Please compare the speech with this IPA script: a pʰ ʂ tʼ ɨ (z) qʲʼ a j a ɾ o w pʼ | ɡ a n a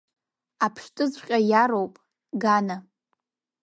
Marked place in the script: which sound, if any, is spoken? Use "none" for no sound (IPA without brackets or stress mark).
z